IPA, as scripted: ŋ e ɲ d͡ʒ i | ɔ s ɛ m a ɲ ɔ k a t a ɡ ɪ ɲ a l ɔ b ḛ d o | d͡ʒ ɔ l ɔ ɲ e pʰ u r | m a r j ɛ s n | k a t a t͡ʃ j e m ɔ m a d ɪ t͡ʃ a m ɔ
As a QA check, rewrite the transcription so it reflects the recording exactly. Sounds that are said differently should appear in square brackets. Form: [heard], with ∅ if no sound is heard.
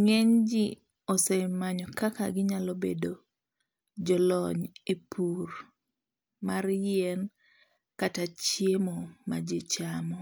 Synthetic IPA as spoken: ŋ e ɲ d͡ʒ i | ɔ s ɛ m a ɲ ɔ k a [k] a ɡ ɪ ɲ a l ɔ b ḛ d o | d͡ʒ ɔ l ɔ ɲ e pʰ u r | m a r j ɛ [∅] n | k a t a t͡ʃ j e m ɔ m a [d͡ʒ] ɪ t͡ʃ a m ɔ